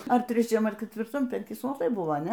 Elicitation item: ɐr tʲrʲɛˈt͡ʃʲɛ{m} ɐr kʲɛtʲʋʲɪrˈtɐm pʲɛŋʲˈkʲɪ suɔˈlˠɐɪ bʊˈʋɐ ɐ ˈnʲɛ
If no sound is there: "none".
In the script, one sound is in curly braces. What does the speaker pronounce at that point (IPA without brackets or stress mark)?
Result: m